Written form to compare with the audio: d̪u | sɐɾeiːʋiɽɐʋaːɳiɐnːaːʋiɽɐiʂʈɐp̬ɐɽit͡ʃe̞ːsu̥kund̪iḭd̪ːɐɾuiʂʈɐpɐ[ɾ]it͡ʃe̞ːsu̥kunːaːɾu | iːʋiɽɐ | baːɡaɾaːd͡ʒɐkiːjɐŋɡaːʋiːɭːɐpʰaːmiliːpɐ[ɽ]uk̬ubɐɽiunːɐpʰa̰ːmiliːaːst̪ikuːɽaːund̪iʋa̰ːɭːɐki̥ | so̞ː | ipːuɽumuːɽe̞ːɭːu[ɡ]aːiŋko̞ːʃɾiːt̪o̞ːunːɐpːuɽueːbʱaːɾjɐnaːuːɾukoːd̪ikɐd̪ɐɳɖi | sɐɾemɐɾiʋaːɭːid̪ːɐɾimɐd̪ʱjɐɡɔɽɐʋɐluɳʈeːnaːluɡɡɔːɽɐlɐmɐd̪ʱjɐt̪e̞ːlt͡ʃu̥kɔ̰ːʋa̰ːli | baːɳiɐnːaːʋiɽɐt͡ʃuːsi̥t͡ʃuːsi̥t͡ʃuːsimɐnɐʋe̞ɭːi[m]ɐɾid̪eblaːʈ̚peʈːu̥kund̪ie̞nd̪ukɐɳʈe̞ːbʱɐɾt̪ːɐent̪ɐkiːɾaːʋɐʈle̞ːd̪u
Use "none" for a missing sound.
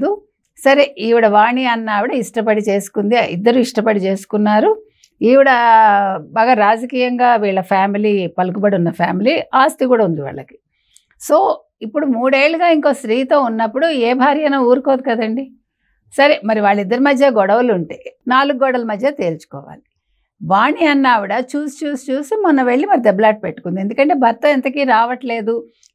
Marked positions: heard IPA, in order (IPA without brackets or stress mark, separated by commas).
ɽ, l, ɡ, m